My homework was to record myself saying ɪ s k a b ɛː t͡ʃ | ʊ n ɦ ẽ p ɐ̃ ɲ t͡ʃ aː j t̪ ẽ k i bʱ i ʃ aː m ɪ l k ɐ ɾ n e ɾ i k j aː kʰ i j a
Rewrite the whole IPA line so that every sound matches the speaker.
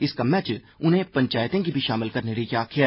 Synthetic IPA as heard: ɪ s k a m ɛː t͡ʃ | ʊ n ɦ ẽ p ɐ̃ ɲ t͡ʃ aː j t̪ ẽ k i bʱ i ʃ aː m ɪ l k ɐ ɾ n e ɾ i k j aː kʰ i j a